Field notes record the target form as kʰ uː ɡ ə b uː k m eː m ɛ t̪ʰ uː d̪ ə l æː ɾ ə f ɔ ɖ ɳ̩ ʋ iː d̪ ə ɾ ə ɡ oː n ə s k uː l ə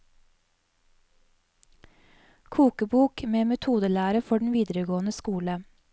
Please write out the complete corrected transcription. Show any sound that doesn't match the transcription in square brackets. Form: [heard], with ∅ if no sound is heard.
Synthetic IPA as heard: kʰ uː [k] ə b uː k m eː m ɛ t̪ʰ uː d̪ ə l æː ɾ ə f ɔ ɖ ɳ̩ ʋ iː d̪ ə ɾ ə ɡ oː n ə s k uː l ə